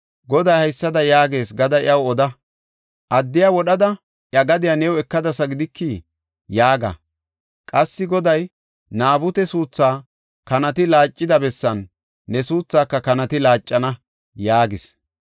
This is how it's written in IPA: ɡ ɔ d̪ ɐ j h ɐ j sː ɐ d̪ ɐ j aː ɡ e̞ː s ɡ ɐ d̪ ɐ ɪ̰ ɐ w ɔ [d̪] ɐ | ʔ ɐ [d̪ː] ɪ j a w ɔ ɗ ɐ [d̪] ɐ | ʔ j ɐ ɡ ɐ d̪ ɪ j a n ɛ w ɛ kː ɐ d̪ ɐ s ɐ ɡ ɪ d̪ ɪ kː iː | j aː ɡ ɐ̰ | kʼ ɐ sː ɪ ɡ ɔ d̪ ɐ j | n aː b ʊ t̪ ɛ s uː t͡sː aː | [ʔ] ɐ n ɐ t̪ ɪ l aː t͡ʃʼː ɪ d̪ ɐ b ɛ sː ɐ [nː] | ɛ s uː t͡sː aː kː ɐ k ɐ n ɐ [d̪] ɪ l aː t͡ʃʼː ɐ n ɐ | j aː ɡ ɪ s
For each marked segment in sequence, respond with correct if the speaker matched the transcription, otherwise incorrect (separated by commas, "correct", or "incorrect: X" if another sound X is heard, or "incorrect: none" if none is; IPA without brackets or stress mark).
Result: correct, correct, correct, incorrect: k, correct, incorrect: t̪